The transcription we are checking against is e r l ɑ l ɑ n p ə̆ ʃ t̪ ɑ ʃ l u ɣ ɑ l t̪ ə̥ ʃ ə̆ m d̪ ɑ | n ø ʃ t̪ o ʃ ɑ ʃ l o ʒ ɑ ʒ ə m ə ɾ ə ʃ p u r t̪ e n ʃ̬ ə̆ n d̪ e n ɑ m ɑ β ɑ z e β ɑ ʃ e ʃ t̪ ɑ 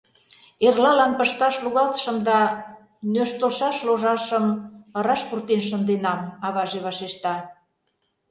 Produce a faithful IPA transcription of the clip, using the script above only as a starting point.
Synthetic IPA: e r l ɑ l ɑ n p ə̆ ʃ t̪ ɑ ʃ l u ɣ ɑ l t̪ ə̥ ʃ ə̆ m d̪ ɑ | n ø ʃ t̪ o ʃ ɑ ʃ l o ʒ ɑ ʃ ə m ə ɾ ɑ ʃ p u r t̪ e n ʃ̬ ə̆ n d̪ e n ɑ m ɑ β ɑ ʒ e β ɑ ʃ e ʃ t̪ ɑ